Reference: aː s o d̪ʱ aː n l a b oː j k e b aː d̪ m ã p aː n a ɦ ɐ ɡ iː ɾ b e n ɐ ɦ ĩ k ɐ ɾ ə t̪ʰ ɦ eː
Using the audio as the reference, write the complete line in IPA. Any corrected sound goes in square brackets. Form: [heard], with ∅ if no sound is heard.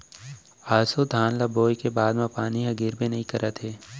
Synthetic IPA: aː s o d̪ʱ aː n l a b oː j k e b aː d̪ m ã p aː n [i] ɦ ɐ ɡ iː ɾ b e n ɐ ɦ ĩ k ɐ ɾ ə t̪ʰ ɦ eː